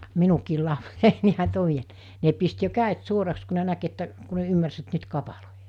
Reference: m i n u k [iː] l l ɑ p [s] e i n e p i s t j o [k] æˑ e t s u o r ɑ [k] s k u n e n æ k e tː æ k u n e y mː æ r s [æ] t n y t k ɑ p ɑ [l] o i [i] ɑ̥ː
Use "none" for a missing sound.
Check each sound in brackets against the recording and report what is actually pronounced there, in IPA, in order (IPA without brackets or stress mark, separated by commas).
iː, s, k, k, e, l, j